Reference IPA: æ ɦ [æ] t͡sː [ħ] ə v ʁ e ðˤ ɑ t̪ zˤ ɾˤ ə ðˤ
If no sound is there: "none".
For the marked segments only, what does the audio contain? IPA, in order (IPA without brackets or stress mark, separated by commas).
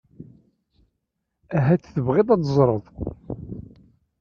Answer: æ, θ